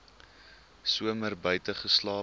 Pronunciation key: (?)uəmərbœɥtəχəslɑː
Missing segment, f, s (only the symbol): s